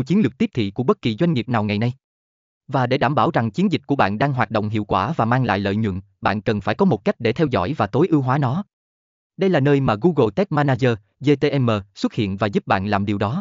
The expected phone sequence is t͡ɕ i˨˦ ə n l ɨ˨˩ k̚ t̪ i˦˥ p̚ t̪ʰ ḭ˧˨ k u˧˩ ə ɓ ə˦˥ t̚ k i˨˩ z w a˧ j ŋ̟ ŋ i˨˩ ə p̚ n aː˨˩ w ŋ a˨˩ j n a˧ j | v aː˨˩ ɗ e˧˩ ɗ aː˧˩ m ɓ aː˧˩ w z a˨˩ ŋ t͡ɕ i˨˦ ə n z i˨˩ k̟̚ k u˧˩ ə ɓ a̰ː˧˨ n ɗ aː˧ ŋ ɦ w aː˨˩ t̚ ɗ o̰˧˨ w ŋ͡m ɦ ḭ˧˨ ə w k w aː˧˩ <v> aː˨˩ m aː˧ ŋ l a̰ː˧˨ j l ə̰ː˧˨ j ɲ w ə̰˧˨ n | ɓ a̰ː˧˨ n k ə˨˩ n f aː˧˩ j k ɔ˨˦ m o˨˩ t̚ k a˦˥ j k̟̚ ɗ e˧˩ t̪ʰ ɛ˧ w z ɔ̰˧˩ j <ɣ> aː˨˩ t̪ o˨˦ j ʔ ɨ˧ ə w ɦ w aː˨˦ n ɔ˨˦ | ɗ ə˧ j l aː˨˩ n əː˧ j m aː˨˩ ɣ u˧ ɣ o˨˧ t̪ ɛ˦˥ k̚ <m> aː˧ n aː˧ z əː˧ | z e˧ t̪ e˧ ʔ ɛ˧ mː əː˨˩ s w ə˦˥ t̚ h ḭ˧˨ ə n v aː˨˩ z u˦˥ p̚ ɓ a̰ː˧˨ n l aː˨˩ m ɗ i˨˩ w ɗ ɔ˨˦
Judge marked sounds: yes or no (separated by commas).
yes, no, yes